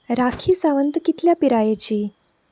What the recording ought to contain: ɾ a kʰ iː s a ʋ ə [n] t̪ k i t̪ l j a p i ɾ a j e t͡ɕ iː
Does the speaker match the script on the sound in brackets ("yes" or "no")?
yes